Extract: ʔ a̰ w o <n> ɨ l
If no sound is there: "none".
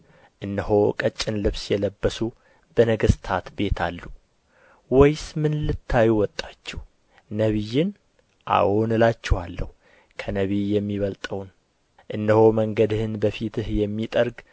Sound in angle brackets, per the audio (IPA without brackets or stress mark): n